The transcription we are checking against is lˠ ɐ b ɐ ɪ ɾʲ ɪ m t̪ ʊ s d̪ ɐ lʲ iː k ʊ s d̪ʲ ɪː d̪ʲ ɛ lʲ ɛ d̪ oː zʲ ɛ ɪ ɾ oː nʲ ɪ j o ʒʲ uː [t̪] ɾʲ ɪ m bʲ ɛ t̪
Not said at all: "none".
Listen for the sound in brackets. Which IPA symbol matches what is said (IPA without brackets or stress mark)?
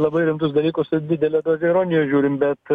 none